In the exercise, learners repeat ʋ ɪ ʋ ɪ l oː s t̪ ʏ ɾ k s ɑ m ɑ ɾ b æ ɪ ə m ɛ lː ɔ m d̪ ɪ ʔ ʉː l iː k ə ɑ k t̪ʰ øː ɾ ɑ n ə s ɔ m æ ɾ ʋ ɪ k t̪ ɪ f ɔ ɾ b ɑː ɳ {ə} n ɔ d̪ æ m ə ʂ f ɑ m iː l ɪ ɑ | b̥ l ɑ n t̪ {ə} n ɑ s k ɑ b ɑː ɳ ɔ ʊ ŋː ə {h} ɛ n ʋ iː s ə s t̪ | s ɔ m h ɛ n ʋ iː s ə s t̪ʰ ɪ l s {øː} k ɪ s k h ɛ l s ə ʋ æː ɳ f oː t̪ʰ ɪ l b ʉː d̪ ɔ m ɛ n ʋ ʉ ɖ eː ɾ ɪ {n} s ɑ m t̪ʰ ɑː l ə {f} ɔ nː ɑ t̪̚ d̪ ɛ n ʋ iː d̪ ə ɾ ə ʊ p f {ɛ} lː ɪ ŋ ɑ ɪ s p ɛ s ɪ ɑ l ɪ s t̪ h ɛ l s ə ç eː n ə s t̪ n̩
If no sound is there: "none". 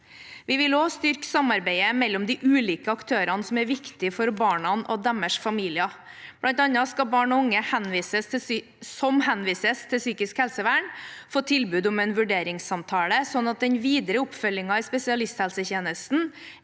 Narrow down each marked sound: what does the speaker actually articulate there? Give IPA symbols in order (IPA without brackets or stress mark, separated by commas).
ɑ, ɑ, h, yː, ŋ, s, œ